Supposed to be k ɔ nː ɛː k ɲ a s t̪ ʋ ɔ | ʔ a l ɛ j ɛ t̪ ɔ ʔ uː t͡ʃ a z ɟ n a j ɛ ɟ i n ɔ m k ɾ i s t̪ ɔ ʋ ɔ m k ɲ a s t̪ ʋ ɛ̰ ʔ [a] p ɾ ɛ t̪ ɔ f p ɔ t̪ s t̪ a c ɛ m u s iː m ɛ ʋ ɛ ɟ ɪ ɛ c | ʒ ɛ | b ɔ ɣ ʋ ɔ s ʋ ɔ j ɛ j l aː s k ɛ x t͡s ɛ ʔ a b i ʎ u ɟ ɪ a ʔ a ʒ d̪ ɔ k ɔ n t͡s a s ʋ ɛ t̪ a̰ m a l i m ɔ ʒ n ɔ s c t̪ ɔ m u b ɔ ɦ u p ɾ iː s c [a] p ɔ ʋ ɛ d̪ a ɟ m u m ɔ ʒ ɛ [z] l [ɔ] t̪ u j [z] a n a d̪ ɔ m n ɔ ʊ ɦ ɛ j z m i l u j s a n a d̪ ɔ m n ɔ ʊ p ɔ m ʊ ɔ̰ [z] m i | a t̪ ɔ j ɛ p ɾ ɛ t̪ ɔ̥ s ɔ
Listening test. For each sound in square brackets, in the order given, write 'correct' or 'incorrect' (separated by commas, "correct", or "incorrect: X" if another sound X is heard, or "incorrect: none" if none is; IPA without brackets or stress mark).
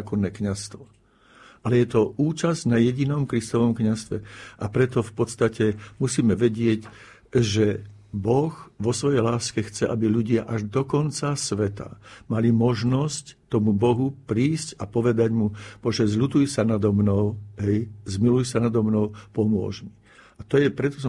correct, correct, correct, incorrect: u, incorrect: s, incorrect: ʒ